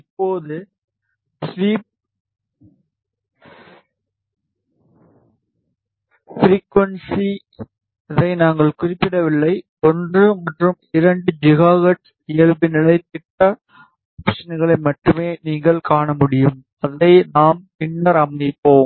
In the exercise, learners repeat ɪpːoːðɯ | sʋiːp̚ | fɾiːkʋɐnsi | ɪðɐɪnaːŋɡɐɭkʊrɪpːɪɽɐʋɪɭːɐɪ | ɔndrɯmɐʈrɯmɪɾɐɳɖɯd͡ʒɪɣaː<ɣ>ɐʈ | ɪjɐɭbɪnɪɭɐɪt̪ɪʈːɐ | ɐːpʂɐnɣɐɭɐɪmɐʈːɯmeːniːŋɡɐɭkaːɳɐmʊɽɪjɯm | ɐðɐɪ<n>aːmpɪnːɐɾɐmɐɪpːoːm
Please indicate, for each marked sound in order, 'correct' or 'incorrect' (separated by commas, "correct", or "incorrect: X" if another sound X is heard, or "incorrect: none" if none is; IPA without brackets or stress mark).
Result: correct, correct